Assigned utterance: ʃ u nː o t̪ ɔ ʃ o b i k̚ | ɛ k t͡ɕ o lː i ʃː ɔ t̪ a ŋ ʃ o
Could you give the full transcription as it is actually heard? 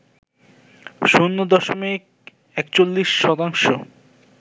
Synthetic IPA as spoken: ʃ u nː o d̪ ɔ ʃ o m i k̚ | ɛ k t͡ɕ o lː i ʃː ɔ t̪ a ŋ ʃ o